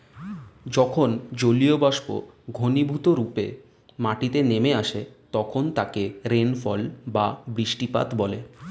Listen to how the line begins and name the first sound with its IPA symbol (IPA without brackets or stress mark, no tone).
d͡ʑ